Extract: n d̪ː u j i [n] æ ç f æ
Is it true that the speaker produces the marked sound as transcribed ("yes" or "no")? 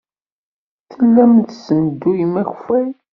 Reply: no